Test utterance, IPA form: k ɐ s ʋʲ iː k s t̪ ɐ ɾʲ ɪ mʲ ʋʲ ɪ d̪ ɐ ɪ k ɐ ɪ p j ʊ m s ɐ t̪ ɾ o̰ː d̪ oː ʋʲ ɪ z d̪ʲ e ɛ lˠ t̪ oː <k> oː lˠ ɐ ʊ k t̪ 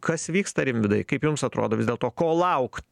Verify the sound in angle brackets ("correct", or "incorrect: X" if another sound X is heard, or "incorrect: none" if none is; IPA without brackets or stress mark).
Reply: correct